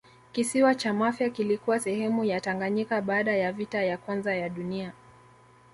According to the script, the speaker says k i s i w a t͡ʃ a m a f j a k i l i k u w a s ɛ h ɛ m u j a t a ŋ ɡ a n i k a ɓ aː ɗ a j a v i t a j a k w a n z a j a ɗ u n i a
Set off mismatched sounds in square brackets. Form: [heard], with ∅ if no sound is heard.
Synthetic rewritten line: k i s i w a t͡ʃ a m a f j a k i l i k u w a s ɛ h ɛ m u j a t a ŋ ɡ a [ɲ] i k a ɓ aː ɗ a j a v i t a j a k w a n z a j a ɗ u n i a